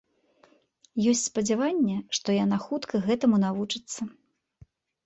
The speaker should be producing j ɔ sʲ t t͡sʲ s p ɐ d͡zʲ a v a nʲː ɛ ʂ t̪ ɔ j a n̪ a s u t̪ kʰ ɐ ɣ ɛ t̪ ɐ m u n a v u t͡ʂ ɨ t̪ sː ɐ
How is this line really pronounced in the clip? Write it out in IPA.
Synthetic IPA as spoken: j ɔ sʲ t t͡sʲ s p ɐ d͡zʲ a v a nʲː ɛ ʂ t̪ ɔ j a n̪ a x u t̪ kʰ ɐ ɣ ɛ t̪ ɐ m u n a v u t͡ʂ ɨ t̪ sː ɐ

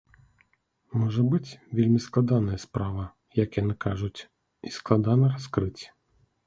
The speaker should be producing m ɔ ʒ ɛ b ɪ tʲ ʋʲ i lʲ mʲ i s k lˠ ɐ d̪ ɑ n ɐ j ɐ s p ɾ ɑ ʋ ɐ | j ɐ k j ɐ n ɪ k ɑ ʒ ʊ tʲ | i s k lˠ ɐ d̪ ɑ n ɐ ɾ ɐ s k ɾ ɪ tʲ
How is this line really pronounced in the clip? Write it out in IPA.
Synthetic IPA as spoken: m ɔ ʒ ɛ b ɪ tʲ ʋʲ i lʲ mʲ i s k lˠ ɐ d̪ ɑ n ɐ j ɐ s p ɾ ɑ ʋ ɐ | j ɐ k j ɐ n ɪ k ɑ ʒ ʊ tʲ | i s k lˠ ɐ d̪ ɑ n ɐ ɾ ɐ s k ɾ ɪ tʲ

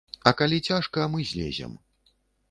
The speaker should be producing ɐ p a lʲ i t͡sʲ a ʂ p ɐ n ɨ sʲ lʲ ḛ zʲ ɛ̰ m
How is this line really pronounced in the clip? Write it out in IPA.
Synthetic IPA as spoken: ɐ k a lʲ i t͡sʲ a ʂ k ɐ m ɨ zʲ lʲ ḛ zʲ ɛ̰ m

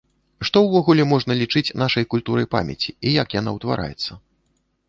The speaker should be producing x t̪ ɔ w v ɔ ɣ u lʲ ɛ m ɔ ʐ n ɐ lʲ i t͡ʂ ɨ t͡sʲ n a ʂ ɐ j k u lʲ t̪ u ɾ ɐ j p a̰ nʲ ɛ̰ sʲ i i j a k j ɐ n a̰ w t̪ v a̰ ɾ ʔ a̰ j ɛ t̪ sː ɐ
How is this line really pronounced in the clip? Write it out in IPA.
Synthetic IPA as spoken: ʂ t̪ ɔ w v ɔ ɣ u lʲ ɛ m ɔ ʐ n ɐ lʲ i t͡ʂ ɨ t͡sʲ n a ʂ ɐ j k u lʲ t̪ u ɾ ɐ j p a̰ mʲ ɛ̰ t͡sʲ i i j a k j a n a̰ w t̪ v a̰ ɾ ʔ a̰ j ɛ t̪ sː ɐ

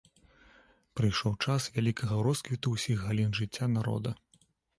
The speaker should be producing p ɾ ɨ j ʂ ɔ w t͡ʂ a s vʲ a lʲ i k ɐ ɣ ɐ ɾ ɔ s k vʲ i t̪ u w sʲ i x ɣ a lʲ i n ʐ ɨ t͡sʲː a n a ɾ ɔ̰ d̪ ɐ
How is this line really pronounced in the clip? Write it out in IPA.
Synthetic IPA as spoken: p ɾ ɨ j ʂ ɔ w t͡ʂ a s vʲ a lʲ i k ɐ ɣ ɐ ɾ ɔ s k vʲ i t̪ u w sʲ i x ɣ a lʲ i n ʐ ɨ t͡sʲː a n a ɾ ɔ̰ d̪ ɐ

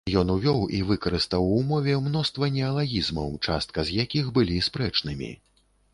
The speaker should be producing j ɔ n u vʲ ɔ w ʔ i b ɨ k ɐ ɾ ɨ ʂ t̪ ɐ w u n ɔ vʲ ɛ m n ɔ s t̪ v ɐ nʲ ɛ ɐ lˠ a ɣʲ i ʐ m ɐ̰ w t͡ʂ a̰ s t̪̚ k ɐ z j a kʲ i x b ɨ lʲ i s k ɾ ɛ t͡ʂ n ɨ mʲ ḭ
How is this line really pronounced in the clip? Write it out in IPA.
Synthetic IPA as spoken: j ɔ n u vʲ ɔ w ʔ i v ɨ k ɐ ɾ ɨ s t̪ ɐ w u m ɔ vʲ ɛ m n ɔ s t̪ v ɐ nʲ ɛ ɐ lˠ a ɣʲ i z m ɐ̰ w t͡ʂ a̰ s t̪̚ k ɐ z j a kʲ i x b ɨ lʲ i s p ɾ ɛ t͡ʂ n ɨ mʲ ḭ

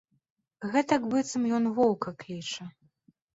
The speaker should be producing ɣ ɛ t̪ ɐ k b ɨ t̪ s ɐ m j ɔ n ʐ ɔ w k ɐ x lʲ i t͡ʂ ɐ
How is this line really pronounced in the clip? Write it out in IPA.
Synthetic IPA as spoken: ɣ ɛ t̪ ɐ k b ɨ t̪ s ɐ m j ɔ n v ɔ w k ɐ k lʲ i t͡ʂ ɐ

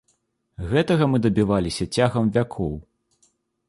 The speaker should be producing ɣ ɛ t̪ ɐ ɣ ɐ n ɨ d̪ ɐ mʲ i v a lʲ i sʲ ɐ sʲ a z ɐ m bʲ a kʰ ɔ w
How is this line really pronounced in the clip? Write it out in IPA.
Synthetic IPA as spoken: ɣ ɛ t̪ ɐ ɣ ɐ m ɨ d̪ ɐ bʲ i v a lʲ i sʲ ɐ t͡sʲ a ɣ ɐ m vʲ a kʰ ɔ w

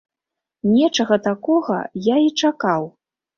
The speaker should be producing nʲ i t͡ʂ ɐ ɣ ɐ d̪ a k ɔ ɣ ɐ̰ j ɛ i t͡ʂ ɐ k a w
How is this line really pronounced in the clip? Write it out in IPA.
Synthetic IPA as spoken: nʲ ɛ t͡ʂ ɐ ɣ ɐ t̪ a k ɔ ɣ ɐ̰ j a i t͡ʂ a k a w

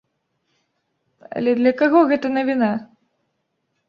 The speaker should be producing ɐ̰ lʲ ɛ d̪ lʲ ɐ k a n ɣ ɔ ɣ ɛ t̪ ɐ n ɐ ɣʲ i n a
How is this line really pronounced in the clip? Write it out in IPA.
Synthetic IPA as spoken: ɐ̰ lʲ ɛ d̪ lʲ ɐ k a ɣ ɔ ɣ ɛ t̪ ɐ n ɐ vʲ i n a

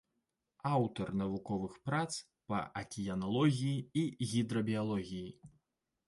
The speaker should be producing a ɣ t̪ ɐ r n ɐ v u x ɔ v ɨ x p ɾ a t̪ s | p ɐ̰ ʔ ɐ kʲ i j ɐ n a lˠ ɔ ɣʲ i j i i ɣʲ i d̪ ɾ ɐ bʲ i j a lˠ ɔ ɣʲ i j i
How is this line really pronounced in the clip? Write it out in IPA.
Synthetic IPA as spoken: a w t̪ ɐ r n ɐ v u k ɔ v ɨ x p ɾ a t̪ s | p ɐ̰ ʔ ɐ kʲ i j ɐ n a lˠ ɔ ɣʲ i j i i ɣʲ i d̪ ɾ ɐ bʲ i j a lˠ ɔ ɣʲ i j i

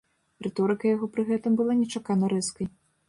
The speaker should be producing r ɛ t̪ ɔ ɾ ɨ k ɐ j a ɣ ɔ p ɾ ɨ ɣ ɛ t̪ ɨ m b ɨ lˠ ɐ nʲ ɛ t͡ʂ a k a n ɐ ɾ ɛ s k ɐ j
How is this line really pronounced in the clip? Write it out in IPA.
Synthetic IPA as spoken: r ɛ t̪ ɔ ɾ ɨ k ɐ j a ɣ ɔ p ɾ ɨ ɣ ɛ t̪ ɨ m b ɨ lˠ a nʲ ɛ t͡ʂ a k a n ɐ ɾ ɛ s k ɐ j

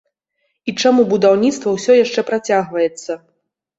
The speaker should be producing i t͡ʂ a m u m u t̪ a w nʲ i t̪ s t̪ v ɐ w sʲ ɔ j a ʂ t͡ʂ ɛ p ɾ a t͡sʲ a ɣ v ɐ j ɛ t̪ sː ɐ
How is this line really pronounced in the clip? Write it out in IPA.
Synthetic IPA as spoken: i t͡ʂ a m u b u d̪ a w nʲ i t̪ s t̪ v ɐ w sʲ ɔ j a ʂ t͡ʂ ɛ p ɾ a t͡sʲ a ɣ v ɐ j ɛ t̪ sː ɐ

